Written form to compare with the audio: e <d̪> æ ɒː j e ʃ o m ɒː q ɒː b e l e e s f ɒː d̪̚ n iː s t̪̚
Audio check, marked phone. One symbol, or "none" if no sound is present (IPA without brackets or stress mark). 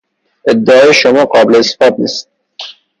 d̪ː